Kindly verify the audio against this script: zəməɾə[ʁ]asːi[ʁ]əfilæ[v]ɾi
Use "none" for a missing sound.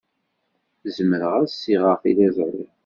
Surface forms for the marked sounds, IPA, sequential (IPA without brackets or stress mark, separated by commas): ʁ, ʁ, z